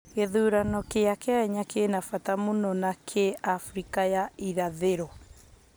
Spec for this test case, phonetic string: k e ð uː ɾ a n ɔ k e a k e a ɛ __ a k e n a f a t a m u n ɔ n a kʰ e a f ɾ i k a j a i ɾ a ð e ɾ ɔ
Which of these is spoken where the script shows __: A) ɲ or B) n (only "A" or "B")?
A